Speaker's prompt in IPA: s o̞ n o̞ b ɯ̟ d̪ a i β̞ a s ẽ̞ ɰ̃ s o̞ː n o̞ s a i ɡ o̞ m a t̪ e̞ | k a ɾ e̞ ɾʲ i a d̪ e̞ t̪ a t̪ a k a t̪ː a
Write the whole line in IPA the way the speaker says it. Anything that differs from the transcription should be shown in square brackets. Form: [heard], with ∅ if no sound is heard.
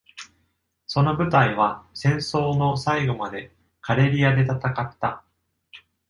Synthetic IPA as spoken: s o̞ n o̞ b ɯ̟ [t̪] a i β̞ a s ẽ̞ ɰ̃ s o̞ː n o̞ s a i ɡ o̞ m a [d̪] e̞ | k a ɾ e̞ ɾʲ i a d̪ e̞ t̪ a t̪ a k a t̪ː a